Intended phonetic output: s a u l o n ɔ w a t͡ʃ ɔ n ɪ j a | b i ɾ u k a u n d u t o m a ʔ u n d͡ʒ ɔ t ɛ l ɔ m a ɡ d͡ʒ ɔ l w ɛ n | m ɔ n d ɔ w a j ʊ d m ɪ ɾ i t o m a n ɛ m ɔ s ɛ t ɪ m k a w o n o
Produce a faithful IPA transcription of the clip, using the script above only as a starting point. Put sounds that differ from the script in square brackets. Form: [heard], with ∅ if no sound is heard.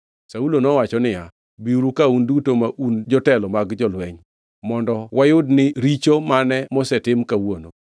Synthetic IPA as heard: s a u l o n ɔ w a t͡ʃ ɔ n ɪ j a | b i ɾ u k a u n d u t o m a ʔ u n d͡ʒ ɔ t ɛ l ɔ m a ɡ d͡ʒ ɔ l w ɛ [ɲ] | m ɔ n d ɔ w a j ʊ d [n] ɪ ɾ i [t͡ʃ] o m a n ɛ m ɔ s ɛ t ɪ m k a w o n o

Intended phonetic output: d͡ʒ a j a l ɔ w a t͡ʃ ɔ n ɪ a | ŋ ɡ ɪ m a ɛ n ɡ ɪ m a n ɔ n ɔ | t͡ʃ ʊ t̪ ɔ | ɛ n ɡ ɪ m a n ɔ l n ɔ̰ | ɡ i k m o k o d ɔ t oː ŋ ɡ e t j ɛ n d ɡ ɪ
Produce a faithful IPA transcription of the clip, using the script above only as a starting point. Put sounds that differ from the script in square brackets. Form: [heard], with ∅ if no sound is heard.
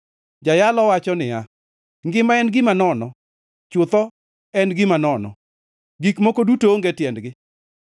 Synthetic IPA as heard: d͡ʒ a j a l ɔ w a t͡ʃ ɔ n ɪ a | ŋ ɡ ɪ m a ɛ n ɡ ɪ m a n ɔ n ɔ | t͡ʃ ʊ t̪ ɔ | ɛ n ɡ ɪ m a n ɔ [∅] n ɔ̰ | ɡ i k m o k o d [u] t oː ŋ ɡ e t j ɛ n d ɡ ɪ

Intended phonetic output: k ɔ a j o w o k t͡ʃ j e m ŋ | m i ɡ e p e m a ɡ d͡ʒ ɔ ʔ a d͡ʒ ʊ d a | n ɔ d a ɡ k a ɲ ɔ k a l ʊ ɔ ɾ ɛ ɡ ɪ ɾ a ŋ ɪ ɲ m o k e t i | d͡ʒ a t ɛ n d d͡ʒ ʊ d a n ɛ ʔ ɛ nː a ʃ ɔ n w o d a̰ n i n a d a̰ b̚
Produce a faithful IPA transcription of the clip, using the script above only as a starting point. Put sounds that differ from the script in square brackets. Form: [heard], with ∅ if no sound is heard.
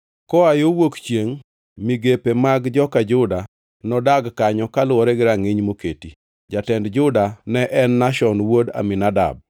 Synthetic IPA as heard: k ɔ a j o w o k t͡ʃ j e [∅] ŋ | m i ɡ e p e m a ɡ d͡ʒ ɔ [k] a d͡ʒ ʊ d a | n ɔ d a ɡ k a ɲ ɔ k a l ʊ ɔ ɾ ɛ ɡ ɪ ɾ a ŋ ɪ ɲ m o k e t i | d͡ʒ a t ɛ n d d͡ʒ ʊ d a n ɛ ʔ ɛ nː a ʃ ɔ n w o d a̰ [m] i n a d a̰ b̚

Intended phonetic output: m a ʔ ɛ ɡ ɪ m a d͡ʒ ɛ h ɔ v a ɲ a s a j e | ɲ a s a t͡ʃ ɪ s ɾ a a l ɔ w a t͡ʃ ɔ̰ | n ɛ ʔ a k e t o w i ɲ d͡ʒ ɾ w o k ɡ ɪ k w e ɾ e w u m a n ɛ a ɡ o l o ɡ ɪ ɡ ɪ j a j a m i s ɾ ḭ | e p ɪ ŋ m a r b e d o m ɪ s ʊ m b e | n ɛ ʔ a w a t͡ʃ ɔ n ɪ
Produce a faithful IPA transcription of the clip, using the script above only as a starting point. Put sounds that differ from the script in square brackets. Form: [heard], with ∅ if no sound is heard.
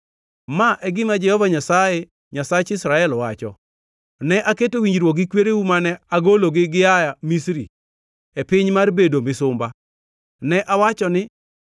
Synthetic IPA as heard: m a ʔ ɛ ɡ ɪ m a d͡ʒ ɛ h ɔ v a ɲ a s a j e | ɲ a s a t͡ʃ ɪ s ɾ a [ɛ] l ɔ w a t͡ʃ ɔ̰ | n ɛ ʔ a k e t o w i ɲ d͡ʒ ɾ w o k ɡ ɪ k w e ɾ e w u m a n ɛ a ɡ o l o ɡ ɪ ɡ ɪ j a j a m i s ɾ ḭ | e p ɪ [ɲ] m a r b e d o m ɪ s ʊ m b [a] | n ɛ ʔ a w a t͡ʃ ɔ n ɪ

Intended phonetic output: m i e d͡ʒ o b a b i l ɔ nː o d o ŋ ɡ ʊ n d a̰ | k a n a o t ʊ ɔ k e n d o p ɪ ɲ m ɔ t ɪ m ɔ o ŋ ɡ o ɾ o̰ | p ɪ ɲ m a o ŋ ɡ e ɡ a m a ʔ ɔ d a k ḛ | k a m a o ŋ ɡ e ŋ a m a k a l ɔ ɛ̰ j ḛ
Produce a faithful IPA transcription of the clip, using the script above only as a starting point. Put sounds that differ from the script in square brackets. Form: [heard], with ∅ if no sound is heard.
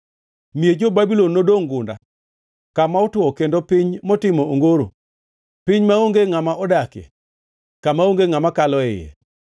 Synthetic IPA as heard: m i e d͡ʒ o b a b i l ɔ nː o d o ŋ ɡ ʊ n d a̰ | k a [m] a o t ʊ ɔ k e n d o p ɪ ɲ m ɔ t ɪ m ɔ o ŋ ɡ o ɾ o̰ | p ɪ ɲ m a o ŋ ɡ e [ŋ] a m a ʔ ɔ d a k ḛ | k a m a o ŋ ɡ e ŋ a m a k a l ɔ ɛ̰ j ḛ

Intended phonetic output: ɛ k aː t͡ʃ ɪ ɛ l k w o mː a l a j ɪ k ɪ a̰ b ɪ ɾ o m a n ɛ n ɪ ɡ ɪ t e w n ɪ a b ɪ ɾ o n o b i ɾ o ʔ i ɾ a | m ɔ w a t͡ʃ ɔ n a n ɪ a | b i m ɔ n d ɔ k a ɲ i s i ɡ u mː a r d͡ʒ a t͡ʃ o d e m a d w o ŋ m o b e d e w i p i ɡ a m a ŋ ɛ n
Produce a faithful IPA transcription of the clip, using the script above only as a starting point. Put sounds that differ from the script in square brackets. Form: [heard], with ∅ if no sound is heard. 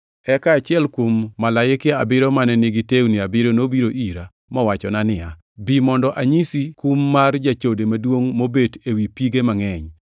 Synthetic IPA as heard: ɛ k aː t͡ʃ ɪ ɛ l k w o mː a l a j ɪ k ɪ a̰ b ɪ ɾ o m a n ɛ n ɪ ɡ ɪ t e w n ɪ a b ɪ ɾ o n o b i ɾ o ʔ i ɾ a | m ɔ w a t͡ʃ ɔ n a n ɪ a | b i m ɔ n d ɔ [ʔ] a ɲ i s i [k] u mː a r d͡ʒ a t͡ʃ o d e m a d w o ŋ m o b e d e w i p i ɡ [e] m a ŋ ɛ [ɲ]

